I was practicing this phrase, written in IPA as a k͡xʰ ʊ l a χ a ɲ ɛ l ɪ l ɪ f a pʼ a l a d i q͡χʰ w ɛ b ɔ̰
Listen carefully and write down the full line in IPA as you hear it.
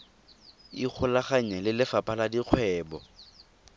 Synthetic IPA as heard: i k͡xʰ ʊ l a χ a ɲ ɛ l ɪ l ɪ f a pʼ a l a d i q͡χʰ w ɛː b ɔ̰